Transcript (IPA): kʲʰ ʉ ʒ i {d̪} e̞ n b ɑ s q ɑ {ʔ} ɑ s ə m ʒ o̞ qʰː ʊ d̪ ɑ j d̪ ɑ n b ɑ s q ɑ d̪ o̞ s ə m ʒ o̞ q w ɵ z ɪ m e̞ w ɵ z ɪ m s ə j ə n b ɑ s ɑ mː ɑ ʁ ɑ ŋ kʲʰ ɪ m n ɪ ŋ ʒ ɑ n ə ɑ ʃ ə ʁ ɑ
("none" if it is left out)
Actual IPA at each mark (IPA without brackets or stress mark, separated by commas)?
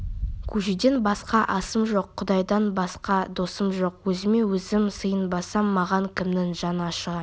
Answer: d̪, ʔ